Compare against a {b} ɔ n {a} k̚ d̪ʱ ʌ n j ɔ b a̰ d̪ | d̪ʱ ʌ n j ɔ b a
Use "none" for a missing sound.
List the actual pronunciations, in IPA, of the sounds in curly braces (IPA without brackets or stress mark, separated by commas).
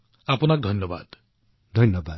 p, a